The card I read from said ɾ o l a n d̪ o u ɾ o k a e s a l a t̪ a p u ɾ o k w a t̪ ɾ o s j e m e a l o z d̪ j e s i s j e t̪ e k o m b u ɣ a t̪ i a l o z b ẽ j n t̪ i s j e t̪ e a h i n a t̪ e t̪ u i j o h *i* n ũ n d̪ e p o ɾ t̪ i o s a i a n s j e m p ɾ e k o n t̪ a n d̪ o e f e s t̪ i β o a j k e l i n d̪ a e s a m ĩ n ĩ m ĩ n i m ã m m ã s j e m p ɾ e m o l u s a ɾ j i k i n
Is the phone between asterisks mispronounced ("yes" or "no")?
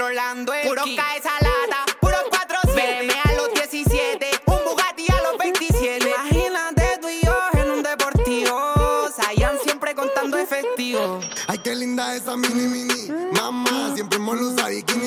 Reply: yes